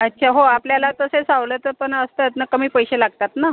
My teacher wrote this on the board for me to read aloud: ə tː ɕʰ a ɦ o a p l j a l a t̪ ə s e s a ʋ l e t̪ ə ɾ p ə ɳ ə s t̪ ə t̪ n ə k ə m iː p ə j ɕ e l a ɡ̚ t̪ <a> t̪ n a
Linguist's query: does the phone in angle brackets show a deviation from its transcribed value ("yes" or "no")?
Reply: no